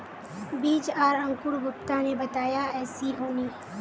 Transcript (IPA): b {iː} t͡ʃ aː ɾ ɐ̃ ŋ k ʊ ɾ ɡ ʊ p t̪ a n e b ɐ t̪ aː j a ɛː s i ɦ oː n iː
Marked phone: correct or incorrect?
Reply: correct